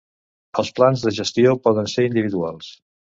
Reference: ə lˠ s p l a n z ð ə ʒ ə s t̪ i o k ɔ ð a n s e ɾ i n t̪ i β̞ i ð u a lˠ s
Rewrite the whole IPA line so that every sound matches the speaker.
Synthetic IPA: ə lˠ s p l a n z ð ə ʒ ə s t̪ i o p ɔ ð ə n s e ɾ i n d̪ i β̞ i ð u a lˠ s